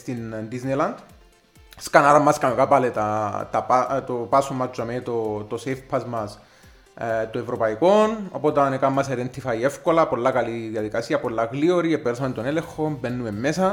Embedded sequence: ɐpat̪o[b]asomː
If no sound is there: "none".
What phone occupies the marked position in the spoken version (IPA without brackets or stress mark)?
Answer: p